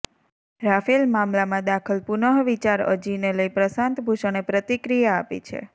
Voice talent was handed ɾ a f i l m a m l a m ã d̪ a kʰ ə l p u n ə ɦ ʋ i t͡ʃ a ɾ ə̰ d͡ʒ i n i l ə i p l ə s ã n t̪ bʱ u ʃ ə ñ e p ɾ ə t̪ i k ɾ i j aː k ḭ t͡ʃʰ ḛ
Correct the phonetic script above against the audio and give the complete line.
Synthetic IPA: ɾ a f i l m a m l a m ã d̪ a kʰ ə l p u n ə ɦ ʋ i t͡ʃ a ɾ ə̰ d͡ʒ i n e l ə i p ɾ ə s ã n t̪ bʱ u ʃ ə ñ e p ɾ ə t̪ i k ɾ i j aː p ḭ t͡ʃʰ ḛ